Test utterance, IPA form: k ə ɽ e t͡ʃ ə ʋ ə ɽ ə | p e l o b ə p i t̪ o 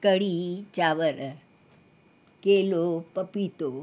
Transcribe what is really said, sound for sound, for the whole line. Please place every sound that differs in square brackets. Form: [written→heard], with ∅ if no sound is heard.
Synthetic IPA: k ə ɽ [e→i] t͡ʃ [ə→a] ʋ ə [ɽ→ɾ] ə | [p→k] e l o [b→p] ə p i t̪ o